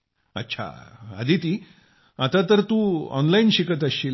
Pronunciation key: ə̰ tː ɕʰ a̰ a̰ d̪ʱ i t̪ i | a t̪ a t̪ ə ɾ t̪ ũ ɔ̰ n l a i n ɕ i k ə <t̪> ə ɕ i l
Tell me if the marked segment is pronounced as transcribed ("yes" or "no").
yes